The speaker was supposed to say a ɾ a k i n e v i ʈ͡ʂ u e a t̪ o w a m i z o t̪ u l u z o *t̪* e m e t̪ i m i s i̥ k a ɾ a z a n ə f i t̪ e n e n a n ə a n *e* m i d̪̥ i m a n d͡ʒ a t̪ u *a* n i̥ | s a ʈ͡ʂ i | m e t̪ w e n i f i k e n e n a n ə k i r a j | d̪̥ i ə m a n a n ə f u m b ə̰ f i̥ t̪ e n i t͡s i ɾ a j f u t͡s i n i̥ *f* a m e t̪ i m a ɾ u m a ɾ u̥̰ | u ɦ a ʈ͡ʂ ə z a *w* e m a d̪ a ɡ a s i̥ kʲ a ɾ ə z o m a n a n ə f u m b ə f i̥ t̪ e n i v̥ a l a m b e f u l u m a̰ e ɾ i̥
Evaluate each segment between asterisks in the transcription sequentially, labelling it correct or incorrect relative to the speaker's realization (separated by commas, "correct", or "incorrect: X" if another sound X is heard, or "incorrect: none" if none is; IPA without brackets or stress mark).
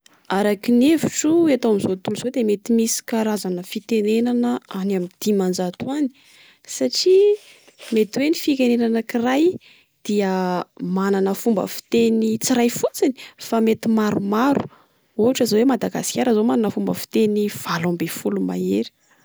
incorrect: d̪, incorrect: a, correct, correct, correct